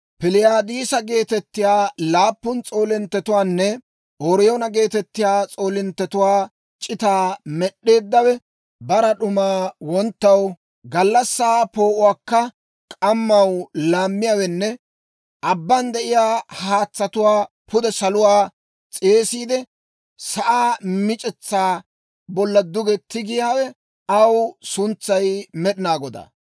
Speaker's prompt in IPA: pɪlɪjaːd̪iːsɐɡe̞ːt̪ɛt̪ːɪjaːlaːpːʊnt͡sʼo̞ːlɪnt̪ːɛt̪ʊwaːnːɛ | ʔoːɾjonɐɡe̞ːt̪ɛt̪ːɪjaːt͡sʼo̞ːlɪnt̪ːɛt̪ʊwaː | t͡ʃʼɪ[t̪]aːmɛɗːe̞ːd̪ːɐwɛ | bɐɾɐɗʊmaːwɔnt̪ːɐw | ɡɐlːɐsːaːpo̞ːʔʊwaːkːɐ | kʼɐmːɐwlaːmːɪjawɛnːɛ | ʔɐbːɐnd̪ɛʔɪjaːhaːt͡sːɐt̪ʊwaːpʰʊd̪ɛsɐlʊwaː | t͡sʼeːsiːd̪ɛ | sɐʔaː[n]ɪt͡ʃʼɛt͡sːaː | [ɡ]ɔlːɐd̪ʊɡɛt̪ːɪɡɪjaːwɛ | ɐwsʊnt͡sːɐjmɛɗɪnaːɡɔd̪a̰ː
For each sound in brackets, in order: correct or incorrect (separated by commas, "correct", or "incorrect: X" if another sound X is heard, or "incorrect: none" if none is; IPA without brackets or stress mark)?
correct, incorrect: m, incorrect: b